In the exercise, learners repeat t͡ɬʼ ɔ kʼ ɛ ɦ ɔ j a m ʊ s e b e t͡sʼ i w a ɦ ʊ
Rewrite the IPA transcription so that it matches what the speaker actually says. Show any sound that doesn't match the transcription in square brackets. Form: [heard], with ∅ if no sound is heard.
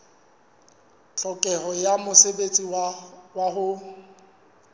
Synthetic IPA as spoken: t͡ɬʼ ɔ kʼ ɛ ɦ ɔ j a m ʊ s e b e t͡sʼ i w a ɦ ʊ